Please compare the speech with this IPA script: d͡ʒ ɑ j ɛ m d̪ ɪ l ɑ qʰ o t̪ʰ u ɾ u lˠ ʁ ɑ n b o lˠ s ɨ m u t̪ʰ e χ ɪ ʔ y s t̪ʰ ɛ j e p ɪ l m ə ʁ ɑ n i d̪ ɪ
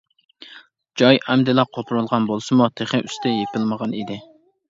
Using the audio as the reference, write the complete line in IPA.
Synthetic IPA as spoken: d͡ʒ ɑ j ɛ m d̪ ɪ l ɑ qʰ o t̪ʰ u ɾ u lˠ ʁ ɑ n b o lˠ s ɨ m u t̪ʰ e χ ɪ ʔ y s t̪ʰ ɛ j e p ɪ l m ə ʁ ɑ n i d̪ ɪ